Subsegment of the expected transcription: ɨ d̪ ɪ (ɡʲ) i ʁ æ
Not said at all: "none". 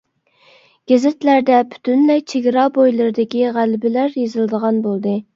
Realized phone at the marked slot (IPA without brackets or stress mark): kʲ